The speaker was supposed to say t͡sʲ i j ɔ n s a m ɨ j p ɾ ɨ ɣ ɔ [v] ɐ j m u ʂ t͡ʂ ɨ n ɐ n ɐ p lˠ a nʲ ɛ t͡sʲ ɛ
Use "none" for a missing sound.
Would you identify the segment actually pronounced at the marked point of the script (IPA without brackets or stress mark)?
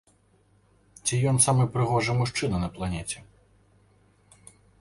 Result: ʐ